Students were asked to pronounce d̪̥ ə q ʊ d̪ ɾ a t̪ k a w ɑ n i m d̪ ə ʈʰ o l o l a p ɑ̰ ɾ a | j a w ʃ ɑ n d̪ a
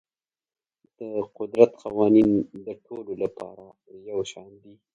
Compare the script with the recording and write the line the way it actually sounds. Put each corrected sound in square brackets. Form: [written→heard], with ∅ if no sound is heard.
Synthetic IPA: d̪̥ ə q ʊ d̪ ɾ a t̪ [k→q] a w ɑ n i [m→n] d̪ ə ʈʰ o l o l a p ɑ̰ ɾ a | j a w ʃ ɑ n d̪ [a→i]

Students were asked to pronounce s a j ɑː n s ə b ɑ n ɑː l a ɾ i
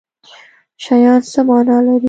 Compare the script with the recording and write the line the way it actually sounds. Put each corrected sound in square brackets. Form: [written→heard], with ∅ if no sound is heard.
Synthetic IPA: [s→ʃ] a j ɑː n s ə [b→m] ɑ n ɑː l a ɾ i

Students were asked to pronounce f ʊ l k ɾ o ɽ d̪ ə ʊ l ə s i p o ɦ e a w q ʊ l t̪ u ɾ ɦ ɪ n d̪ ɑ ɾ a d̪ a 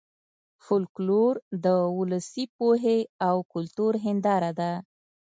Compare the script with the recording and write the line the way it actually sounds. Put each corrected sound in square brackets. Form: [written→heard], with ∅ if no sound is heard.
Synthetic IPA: f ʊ l k [ɾ→l] o [ɽ→ɾ] d̪ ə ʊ l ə s i p o ɦ e a w [q→k] ʊ l t̪ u ɾ ɦ ɪ n d̪ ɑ ɾ a d̪ a

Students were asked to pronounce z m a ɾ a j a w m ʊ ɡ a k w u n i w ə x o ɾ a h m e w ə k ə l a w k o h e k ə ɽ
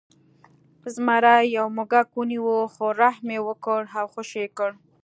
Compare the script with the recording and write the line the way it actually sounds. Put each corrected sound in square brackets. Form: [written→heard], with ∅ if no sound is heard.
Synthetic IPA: z m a ɾ a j a w m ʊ ɡ a k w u n i w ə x o ɾ a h m e w ə k ə [l→ɽ] a w [k→x] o [h→ʃ] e k ə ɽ

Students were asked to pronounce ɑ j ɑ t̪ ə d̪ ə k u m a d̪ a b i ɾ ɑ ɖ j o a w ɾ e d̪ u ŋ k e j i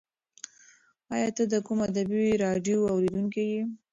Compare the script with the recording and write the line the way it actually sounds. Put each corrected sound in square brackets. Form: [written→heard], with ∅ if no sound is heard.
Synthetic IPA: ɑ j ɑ t̪ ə d̪ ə k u m a d̪ a b i ɾ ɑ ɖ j o a w ɾ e d̪ u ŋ k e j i

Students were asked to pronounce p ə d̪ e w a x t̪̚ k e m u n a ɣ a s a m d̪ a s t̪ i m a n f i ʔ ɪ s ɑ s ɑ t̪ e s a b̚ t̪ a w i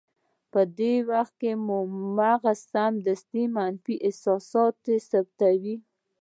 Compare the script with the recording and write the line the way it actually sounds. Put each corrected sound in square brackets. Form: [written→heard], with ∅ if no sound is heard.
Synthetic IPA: p ə d̪ e w a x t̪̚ k e m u [n→m] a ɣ a s a m d̪ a s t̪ i m a n f i ʔ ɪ s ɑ s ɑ t̪ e s a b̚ t̪ a w i

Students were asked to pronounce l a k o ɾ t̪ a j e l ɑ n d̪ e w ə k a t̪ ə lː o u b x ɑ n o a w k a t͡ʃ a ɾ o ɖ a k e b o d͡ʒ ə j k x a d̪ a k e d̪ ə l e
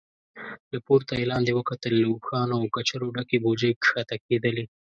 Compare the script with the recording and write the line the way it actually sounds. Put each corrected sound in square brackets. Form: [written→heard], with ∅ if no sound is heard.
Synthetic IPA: l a [k→p] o ɾ t̪ a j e l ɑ n d̪ e w ə k a t̪ ə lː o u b x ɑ n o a w k a t͡ʃ a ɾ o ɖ a k e b o d͡ʒ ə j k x a [d̪→t̪] a k e d̪ ə l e

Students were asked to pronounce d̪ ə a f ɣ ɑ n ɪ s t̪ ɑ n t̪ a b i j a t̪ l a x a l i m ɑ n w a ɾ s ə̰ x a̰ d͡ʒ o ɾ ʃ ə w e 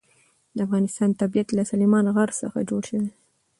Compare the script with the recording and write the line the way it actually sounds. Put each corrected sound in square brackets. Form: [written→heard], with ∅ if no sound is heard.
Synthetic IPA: d̪ ə a f ɣ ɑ n ɪ s t̪ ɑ n t̪ a b i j a t̪ l a [x→s] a l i m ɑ n [w→ɣ] a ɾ s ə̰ x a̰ d͡ʒ o [ɾ→ɽ] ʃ ə w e

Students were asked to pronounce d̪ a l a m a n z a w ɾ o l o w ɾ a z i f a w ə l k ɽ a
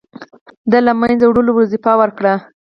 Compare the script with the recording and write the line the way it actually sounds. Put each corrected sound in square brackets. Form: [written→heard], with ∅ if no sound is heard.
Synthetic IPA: d̪ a l a m a n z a w [ɾ→ɽ] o l o w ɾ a z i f [a→ɑ] w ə [l→ɾ] k ɽ a

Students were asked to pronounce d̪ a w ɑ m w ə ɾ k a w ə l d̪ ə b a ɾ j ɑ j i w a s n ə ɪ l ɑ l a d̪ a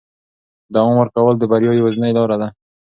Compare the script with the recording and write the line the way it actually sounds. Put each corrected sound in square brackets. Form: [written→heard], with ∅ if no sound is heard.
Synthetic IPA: d̪ a w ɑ m w ə ɾ k a w ə l d̪ ə b a ɾ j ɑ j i w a [s→z] n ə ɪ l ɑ [l→ɾ] a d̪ a

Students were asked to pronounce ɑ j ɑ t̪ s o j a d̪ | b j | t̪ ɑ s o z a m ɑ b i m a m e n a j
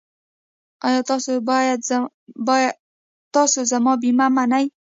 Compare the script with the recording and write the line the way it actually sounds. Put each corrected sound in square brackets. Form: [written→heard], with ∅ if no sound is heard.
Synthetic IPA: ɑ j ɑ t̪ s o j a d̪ | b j | t̪ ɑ s o z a m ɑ b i m a m [e→a] n a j

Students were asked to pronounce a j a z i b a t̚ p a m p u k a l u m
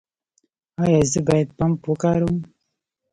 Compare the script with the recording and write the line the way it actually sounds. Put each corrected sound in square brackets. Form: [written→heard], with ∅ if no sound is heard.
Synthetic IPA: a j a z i b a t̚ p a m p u k a [l→ɾ] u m

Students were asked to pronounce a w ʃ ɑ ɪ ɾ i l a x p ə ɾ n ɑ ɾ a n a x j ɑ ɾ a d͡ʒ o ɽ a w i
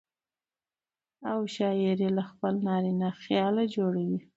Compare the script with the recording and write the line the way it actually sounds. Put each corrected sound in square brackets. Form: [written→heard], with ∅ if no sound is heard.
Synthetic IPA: a w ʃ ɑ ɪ ɾ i l a x p ə [ɾ→l] n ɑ ɾ [a→i] n a x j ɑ [ɾ→l] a d͡ʒ o ɽ a w i

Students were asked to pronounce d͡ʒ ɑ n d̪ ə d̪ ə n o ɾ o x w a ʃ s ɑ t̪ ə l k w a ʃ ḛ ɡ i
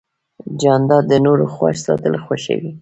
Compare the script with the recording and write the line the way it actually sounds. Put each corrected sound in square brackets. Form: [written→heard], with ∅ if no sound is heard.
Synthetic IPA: d͡ʒ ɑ n d̪ [ə→ɑ] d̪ ə n o ɾ o x w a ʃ s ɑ t̪ ə l [k→x] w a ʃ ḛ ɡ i

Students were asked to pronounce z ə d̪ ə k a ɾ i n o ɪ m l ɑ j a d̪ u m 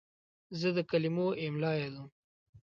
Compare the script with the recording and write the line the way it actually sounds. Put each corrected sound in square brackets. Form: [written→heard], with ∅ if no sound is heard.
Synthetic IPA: z ə d̪ ə k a [ɾ→l] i [n→m] o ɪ m l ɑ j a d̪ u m

